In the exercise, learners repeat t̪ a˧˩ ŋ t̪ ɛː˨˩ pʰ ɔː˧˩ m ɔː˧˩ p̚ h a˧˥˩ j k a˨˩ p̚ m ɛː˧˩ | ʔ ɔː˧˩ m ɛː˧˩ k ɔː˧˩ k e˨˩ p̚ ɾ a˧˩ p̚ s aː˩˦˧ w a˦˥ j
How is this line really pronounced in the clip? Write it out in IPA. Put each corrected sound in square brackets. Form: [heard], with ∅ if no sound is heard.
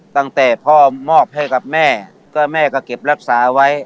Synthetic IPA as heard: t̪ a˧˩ ŋ t̪ ɛː˨˩ pʰ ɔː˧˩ m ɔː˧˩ p̚ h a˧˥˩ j k a˨˩ p̚ m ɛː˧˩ | [k] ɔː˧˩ m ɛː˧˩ k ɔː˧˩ k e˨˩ p̚ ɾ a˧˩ [k̚] s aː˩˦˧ w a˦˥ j